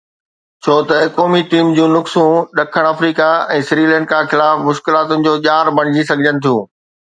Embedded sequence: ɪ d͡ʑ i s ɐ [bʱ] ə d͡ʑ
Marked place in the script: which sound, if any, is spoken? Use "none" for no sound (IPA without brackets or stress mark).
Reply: ɡʱ